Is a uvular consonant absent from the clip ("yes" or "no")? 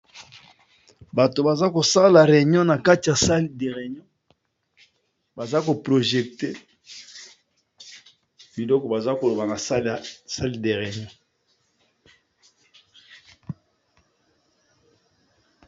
no